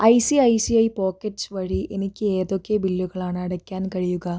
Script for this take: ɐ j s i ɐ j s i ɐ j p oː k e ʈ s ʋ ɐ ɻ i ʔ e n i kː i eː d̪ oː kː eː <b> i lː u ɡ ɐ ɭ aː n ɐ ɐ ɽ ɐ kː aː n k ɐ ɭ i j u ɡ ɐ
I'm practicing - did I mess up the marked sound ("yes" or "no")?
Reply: no